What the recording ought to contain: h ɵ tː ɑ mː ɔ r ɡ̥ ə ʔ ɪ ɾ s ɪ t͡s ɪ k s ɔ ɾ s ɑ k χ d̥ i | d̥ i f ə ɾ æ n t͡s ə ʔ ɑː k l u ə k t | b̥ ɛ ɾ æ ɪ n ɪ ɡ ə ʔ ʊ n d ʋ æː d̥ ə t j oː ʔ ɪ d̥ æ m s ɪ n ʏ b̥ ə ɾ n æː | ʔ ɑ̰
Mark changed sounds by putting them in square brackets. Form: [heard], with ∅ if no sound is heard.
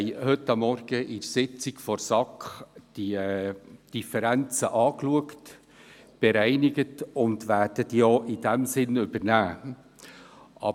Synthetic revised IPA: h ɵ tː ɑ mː ɔ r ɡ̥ ə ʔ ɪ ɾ s ɪ t͡s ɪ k [f] ɔ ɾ s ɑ k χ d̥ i | d̥ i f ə ɾ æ n t͡s ə ʔ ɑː k l u ə k t | b̥ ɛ ɾ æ ɪ n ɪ ɡ ə [t] ʊ n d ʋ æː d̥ ə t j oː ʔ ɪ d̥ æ m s ɪ n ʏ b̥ ə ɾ n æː | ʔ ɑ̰